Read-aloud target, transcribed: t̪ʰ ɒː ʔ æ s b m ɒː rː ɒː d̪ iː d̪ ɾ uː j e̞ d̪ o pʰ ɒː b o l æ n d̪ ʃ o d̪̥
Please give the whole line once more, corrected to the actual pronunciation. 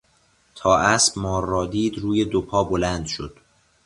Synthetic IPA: t̪ʰ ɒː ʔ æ s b m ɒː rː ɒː d̪ iː d̪ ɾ uː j e̞ d̪ o pʰ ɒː b o l æ n d̪ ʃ o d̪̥